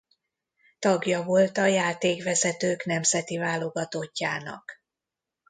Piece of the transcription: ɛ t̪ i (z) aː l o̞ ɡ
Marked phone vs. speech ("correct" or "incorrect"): incorrect